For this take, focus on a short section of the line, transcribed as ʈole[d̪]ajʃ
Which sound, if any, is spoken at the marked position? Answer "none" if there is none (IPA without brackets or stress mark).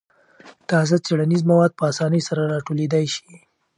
d̪